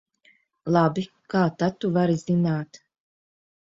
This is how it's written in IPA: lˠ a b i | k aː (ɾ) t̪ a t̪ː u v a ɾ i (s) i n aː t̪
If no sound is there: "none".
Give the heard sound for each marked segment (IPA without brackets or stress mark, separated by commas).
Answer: none, z